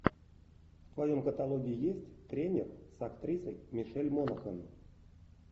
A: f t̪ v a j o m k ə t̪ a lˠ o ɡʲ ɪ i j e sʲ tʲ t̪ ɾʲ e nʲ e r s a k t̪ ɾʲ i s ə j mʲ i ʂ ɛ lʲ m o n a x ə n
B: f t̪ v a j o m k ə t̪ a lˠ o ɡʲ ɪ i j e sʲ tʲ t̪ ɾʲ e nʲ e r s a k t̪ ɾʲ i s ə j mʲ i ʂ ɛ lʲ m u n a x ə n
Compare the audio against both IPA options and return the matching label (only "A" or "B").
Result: A